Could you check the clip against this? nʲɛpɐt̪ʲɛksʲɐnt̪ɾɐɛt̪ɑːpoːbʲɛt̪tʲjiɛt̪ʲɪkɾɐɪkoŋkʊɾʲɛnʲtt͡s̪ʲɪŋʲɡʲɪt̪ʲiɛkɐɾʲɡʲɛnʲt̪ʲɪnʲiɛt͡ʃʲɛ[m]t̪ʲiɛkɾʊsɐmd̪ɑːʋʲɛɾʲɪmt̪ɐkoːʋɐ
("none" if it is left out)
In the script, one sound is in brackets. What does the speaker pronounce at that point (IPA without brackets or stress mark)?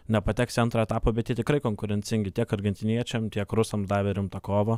m